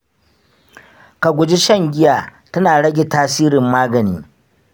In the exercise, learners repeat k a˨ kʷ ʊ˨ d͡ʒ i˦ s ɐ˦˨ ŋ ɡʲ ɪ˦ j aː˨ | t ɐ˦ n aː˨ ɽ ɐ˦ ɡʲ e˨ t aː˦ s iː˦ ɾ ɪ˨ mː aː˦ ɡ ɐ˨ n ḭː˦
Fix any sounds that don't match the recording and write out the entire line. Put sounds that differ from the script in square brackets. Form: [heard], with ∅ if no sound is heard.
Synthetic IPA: k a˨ [ɡʷ] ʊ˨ d͡ʒ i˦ [ʃ] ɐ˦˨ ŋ ɡʲ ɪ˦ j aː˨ | t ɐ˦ n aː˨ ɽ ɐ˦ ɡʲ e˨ t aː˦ s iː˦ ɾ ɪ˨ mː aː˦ ɡ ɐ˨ n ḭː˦